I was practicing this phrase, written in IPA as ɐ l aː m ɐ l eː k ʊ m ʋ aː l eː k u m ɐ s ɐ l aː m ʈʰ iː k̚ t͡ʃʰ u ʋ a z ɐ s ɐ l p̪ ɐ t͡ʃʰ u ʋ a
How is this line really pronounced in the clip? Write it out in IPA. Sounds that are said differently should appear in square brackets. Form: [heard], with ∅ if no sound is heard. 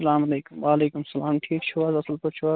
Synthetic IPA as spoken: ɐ l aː m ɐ l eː k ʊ m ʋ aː l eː k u m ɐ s ɐ l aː m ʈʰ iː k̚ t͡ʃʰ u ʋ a z ɐ s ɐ l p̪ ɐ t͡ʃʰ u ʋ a